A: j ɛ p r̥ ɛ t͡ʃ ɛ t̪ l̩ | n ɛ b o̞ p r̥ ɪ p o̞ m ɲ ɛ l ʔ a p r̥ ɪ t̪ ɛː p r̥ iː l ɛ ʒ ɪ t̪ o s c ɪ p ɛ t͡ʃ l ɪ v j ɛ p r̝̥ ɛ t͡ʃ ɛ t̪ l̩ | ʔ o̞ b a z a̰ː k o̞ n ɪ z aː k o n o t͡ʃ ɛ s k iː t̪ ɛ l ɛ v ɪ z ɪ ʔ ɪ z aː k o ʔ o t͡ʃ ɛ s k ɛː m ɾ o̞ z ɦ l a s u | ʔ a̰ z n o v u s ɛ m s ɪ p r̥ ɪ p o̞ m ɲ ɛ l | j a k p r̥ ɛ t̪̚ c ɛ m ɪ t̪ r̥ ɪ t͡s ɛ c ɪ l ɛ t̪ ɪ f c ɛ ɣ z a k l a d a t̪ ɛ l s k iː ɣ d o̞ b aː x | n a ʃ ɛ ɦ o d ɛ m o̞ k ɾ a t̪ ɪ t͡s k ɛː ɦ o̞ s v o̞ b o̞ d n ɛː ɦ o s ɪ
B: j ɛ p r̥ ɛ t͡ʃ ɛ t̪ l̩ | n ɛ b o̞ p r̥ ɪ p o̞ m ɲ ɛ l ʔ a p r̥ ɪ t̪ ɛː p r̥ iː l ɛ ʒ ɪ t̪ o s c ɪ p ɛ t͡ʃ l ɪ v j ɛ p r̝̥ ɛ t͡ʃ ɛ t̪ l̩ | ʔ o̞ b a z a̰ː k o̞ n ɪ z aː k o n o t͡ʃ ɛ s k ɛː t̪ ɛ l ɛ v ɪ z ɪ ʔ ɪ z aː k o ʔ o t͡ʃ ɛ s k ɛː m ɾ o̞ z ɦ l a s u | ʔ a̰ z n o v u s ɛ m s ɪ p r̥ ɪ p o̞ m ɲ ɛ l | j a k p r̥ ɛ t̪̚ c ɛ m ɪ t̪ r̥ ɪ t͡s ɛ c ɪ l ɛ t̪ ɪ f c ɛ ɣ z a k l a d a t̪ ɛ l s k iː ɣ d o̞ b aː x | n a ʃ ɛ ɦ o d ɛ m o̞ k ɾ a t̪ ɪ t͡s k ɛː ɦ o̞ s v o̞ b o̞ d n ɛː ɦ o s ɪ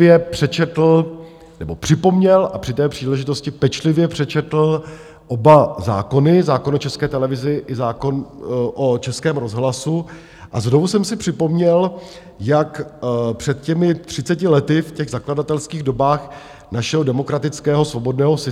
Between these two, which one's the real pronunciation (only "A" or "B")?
B